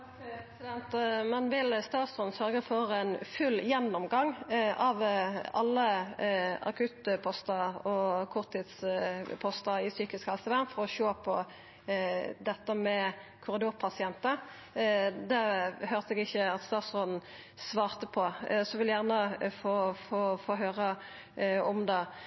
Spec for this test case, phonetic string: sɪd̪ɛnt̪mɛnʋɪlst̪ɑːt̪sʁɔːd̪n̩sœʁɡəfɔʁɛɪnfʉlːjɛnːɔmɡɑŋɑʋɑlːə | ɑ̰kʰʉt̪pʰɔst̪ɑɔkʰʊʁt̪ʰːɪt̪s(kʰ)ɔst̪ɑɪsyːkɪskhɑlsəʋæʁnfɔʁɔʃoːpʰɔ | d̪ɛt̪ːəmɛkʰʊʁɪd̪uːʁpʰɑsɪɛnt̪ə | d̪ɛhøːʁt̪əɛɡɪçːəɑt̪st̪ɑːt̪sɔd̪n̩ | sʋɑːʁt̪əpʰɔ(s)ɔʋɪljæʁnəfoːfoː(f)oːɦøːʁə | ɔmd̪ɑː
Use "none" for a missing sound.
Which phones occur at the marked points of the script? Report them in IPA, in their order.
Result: pʰ, s, f

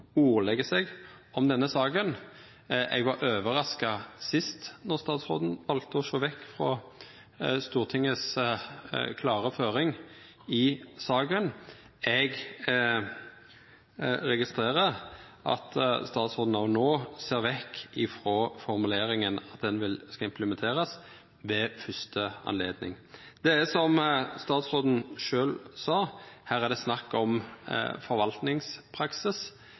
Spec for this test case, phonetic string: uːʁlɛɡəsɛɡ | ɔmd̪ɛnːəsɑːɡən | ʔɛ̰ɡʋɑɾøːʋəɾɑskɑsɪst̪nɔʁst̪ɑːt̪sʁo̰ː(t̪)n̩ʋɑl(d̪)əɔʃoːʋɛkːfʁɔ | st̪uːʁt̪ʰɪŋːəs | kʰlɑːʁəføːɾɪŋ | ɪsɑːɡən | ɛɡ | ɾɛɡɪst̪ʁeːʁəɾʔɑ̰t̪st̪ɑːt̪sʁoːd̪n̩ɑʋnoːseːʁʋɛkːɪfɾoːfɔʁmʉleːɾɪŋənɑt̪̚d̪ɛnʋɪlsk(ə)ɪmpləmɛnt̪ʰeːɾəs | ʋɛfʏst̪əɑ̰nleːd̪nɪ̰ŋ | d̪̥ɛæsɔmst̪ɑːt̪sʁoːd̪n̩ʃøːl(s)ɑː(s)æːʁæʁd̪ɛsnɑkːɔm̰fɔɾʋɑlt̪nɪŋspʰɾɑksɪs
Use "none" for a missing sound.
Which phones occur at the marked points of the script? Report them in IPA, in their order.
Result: d̪, t̪, ɑ, s, h

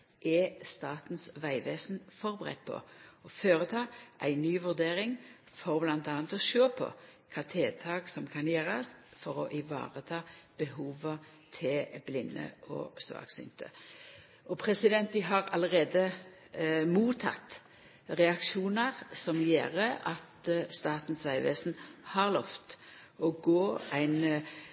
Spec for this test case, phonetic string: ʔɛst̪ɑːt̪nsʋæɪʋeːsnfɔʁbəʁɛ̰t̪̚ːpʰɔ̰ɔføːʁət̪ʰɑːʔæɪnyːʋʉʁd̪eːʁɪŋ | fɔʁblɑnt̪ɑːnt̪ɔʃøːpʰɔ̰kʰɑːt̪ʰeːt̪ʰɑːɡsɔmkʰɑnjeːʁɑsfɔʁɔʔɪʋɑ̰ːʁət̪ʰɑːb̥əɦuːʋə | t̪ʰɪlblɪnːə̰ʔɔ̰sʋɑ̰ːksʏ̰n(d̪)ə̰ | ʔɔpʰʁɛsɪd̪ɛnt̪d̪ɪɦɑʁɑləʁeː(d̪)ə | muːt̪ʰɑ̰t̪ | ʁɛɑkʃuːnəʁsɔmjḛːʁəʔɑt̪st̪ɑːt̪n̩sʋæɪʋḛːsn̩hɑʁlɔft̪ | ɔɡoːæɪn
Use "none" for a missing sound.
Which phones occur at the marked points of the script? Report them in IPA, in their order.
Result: t̪, d̪

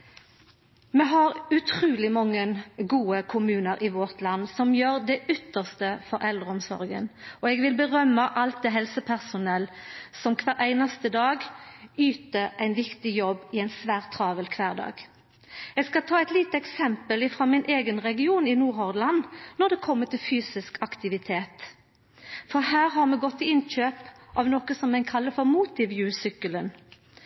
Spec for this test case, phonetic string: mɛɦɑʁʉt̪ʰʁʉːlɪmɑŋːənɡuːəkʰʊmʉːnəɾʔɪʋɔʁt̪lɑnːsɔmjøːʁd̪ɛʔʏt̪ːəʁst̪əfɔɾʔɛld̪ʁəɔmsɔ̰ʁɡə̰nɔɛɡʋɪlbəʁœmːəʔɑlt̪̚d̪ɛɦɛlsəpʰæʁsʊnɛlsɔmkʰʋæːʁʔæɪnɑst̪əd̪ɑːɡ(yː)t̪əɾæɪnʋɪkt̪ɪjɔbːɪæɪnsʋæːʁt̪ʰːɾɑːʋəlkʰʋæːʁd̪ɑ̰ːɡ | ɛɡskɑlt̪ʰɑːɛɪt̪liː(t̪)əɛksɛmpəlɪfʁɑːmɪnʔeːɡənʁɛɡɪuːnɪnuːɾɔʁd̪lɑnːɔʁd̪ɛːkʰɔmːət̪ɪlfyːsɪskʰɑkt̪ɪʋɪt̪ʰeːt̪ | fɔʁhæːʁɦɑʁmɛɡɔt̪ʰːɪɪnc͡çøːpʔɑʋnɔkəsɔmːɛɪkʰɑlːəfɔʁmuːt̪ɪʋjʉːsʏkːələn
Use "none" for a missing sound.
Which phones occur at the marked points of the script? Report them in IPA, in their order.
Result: yː, t̪

